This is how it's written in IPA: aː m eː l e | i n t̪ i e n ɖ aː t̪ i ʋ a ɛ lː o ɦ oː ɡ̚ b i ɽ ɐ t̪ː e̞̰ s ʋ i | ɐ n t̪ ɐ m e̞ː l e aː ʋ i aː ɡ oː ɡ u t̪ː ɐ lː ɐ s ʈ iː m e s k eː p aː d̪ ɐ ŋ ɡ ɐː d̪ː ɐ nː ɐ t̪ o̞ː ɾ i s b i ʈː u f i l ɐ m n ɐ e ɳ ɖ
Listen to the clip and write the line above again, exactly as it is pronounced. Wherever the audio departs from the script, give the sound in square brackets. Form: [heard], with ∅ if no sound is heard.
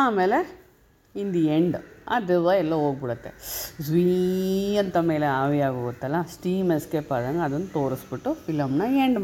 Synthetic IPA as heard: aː m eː l e | i n [d̪] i e [ɳ] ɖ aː [d̪] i ʋ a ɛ lː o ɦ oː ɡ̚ b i ɽ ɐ t̪ː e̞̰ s ʋ i | ɐ n t̪ ɐ m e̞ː l e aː ʋ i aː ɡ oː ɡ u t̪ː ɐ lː ɐ s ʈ iː m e s k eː p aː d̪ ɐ ŋ ɡ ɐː [d̪] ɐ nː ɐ t̪ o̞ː ɾ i s b i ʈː u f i l ɐ m n ɐ e ɳ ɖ